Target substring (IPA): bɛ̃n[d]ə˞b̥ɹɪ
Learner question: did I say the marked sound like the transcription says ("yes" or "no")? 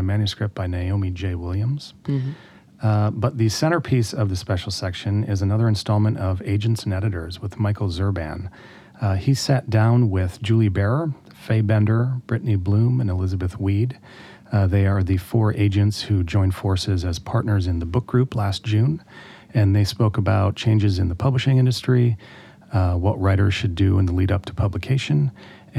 yes